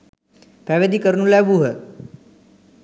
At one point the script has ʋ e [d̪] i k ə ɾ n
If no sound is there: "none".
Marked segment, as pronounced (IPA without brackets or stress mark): d̪